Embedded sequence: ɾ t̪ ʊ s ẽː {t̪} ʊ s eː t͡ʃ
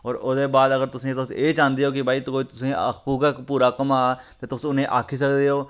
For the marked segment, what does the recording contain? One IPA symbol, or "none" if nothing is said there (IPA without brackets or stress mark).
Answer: t̪